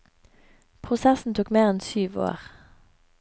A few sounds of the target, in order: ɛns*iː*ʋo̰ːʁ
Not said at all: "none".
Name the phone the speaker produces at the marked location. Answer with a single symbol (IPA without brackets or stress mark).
yː